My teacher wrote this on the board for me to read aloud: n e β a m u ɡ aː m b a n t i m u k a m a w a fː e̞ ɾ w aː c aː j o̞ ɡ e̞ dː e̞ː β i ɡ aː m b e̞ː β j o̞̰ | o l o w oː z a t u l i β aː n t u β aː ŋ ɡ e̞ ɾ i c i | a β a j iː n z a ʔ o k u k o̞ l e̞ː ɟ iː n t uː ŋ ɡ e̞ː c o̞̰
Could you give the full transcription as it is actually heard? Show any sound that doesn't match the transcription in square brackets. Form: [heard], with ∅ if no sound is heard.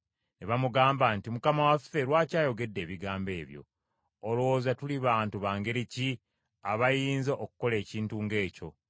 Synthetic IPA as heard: n e β a m u ɡ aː m b a n t i m u k a m a w a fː e̞ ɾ w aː c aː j o̞ ɡ e̞ dː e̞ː β i ɡ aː m b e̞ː β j o̞̰ | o l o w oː z a t u l i β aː n t u β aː ŋ ɡ e̞ ɾ i c i | a β a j iː n z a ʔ o k u k o̞ l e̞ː [c] iː n t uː ŋ ɡ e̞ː c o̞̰